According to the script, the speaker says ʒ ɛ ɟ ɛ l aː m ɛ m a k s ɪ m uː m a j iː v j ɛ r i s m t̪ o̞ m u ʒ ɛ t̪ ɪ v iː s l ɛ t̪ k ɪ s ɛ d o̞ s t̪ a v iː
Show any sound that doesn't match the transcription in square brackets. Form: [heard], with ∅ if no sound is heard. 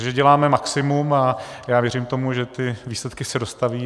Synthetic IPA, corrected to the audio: ʒ ɛ ɟ ɛ l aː m ɛ m a k s ɪ m [u] m a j [aː] v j ɛ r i [∅] m t̪ o̞ m u ʒ ɛ t̪ ɪ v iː s l ɛ t̪ k ɪ s ɛ d o̞ s t̪ a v iː